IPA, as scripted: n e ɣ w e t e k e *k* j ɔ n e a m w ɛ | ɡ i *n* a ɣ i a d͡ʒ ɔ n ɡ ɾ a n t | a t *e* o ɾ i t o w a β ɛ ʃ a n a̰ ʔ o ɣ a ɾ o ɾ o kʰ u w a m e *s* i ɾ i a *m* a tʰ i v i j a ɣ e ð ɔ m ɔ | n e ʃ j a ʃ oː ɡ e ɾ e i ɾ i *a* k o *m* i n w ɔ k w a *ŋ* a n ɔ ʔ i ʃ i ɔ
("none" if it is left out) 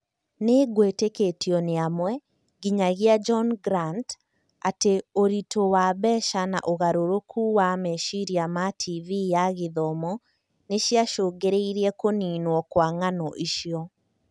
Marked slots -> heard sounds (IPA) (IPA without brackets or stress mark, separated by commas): t, ɲ, e, ʃ, m, ɛ, n, ŋ